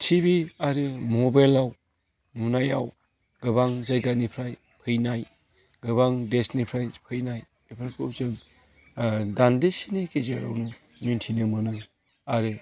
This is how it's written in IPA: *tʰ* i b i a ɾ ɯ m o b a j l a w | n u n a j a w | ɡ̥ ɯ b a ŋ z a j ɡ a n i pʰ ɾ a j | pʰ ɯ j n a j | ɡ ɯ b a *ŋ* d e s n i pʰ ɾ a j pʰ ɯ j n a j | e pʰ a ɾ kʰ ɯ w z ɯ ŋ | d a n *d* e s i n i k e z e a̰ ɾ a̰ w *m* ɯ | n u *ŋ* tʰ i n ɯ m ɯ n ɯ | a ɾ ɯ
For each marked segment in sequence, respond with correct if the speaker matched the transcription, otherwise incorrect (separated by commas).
correct, correct, correct, incorrect, incorrect